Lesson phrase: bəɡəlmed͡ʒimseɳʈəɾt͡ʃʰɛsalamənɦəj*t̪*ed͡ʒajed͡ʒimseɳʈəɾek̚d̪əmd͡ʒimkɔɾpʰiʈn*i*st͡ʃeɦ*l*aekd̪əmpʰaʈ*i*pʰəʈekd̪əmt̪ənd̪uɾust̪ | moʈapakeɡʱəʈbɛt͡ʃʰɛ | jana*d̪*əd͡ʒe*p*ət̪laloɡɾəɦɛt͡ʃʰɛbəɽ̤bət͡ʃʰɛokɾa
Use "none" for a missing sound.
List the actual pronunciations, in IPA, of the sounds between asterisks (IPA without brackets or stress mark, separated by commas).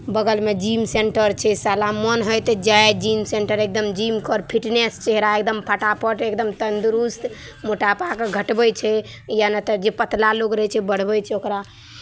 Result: t̪, e, ɾ, a, t̪, p